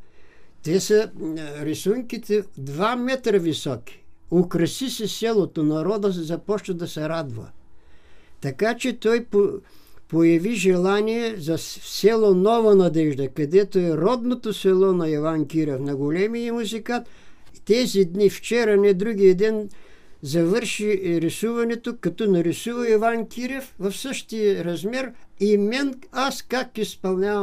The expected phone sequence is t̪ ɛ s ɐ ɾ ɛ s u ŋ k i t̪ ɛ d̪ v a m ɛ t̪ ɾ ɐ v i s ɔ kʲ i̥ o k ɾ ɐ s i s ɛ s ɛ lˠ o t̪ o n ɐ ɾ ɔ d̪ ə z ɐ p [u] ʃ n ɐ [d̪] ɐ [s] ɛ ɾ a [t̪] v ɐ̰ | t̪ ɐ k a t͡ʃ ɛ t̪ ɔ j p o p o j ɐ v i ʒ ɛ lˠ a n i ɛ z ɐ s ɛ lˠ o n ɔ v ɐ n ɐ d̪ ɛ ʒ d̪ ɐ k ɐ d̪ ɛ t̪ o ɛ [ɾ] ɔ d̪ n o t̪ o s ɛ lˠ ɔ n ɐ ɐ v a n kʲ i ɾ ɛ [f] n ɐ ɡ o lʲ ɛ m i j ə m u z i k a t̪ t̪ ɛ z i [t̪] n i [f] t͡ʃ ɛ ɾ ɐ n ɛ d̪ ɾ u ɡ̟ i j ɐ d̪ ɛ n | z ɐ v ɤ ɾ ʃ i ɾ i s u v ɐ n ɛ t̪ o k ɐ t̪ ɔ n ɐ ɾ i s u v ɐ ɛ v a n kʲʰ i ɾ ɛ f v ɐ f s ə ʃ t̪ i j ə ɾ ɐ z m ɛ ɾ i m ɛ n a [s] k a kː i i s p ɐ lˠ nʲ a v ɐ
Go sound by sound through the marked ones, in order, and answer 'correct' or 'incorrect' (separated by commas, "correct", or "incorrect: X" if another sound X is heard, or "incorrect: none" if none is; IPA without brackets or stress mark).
incorrect: ɔ, correct, correct, incorrect: d̪, correct, correct, incorrect: d̪, correct, correct